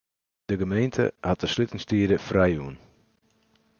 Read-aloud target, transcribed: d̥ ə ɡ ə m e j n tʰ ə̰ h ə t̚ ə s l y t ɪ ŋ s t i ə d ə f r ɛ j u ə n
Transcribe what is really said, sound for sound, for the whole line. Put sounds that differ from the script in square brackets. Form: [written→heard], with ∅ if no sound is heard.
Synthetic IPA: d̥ ə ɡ ə m e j n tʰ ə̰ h [ə→a] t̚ ə s l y t ɪ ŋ s t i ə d ə f r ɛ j u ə n